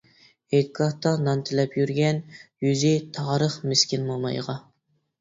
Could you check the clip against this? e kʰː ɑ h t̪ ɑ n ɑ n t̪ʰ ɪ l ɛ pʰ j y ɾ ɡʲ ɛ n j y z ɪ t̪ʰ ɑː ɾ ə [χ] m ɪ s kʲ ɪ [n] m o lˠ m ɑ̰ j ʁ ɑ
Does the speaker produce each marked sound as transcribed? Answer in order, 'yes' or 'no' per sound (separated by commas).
yes, yes